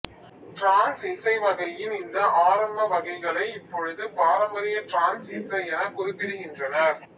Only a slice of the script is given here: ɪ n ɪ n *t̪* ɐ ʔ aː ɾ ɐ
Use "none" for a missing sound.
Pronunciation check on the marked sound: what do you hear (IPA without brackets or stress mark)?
d̪